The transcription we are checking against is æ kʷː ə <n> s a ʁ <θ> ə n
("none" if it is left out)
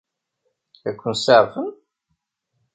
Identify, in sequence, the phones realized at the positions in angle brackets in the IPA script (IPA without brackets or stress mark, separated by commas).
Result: n, f